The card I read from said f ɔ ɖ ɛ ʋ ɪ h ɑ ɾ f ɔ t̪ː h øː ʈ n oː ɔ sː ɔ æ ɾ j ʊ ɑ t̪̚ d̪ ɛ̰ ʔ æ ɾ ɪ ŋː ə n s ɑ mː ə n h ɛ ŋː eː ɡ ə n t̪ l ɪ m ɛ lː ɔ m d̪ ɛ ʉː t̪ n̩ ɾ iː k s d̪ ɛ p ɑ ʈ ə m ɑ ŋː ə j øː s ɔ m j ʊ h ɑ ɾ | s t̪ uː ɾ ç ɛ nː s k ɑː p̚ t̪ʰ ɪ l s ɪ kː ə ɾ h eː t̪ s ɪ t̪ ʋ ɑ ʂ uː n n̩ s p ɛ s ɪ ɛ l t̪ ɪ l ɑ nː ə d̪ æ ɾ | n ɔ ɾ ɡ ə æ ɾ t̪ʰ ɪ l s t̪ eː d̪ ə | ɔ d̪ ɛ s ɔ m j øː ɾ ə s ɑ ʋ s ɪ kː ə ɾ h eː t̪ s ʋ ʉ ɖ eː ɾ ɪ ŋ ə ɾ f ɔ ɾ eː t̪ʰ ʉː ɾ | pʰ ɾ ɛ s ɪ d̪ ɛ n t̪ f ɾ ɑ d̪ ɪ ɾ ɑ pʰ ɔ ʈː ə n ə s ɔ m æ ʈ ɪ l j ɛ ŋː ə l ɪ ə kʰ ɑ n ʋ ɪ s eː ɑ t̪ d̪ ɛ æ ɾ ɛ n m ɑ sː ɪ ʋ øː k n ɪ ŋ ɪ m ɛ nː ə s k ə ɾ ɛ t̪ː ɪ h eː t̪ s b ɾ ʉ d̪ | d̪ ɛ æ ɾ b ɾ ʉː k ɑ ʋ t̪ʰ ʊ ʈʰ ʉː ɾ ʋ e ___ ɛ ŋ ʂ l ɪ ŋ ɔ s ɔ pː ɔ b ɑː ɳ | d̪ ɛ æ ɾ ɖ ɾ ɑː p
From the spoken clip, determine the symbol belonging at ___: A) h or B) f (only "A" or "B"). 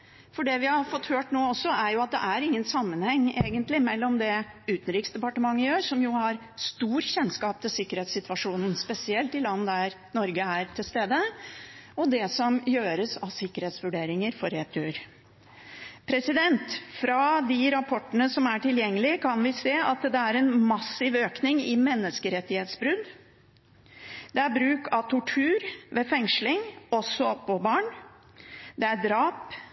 B